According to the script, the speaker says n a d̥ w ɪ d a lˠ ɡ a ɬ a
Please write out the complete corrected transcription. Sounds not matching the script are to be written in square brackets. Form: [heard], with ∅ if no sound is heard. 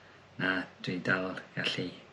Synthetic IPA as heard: n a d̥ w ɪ d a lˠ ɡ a ɬ [i]

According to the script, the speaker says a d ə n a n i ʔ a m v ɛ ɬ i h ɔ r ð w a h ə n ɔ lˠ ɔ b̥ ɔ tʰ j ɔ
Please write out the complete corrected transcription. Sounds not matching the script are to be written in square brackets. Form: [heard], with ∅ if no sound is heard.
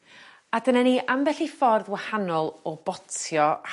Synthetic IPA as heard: a d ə n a n i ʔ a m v ɛ ɬ i [f] ɔ r ð w a h [a] n ɔ lˠ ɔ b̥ ɔ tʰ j ɔ

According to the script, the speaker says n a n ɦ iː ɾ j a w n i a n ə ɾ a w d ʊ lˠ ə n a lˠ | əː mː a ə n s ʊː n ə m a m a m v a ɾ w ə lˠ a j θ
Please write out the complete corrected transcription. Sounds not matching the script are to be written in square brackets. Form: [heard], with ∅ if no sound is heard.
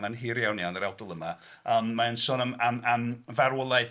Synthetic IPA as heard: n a n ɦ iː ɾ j a w n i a n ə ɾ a w d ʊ lˠ ə [m] a [∅] | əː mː a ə n s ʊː n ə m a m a m v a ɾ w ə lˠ a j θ

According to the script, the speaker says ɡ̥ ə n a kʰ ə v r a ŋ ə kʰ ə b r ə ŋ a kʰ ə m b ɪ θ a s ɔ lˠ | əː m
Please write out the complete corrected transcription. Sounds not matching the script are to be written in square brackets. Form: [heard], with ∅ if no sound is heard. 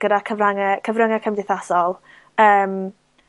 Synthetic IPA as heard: ɡ̥ ə [d] a kʰ ə v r a ŋ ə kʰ ə [v] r ə ŋ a kʰ ə m [d] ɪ θ a s ɔ lˠ | əː m

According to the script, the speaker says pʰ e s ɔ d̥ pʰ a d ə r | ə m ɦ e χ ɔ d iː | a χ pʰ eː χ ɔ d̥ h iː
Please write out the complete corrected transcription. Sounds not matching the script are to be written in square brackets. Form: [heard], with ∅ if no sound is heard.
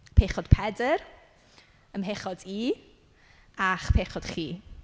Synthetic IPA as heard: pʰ e [χ] ɔ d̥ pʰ [ɛ] d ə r | ə m ɦ e χ ɔ d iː | a χ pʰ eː χ ɔ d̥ [χ] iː

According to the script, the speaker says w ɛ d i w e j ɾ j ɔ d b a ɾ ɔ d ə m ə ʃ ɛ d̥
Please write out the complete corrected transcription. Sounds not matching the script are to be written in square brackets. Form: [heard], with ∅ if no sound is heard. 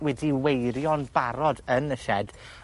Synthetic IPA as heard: w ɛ d i w e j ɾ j ɔ [n] b a ɾ ɔ d ə [n] ə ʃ ɛ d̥

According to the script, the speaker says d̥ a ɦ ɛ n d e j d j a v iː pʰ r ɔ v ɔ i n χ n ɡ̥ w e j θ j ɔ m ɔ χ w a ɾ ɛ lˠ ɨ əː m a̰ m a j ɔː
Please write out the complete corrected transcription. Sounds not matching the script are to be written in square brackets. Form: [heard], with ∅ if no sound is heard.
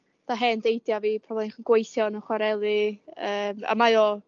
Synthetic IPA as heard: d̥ a ɦ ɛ n d e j d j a v iː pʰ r ɔ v ɔ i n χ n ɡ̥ w e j θ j ɔ [n] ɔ χ w a ɾ ɛ lˠ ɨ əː m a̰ m a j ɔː

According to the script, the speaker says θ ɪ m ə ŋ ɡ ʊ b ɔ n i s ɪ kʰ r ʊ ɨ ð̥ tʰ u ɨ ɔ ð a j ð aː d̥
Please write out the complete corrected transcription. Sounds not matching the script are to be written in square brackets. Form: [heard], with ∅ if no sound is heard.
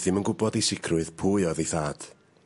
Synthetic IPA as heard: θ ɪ m ə [n] ɡ ʊ b ɔ [d] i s ɪ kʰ r ʊ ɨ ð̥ [pʰ] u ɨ ɔ ð [e] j [θ] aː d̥

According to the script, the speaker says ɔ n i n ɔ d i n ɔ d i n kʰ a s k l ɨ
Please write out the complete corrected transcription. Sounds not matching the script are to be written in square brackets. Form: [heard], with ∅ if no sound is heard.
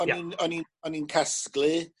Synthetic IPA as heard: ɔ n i n ɔ [n] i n ɔ [n] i n kʰ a s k l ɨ

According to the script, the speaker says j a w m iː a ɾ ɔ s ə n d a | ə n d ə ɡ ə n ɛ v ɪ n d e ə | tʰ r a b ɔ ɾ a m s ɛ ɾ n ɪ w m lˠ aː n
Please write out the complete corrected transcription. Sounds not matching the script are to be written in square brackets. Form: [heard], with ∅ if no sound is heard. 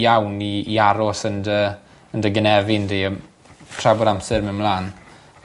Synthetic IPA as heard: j a w [n] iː a ɾ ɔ s ə n d [ə] | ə n d ə ɡ ə n ɛ v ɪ n d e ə | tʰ r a b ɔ ɾ a m s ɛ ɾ [m] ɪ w m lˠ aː n

